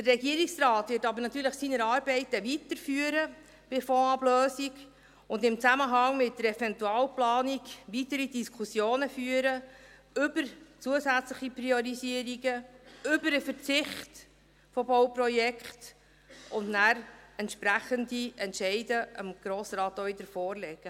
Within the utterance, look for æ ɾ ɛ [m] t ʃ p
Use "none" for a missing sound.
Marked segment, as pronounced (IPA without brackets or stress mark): n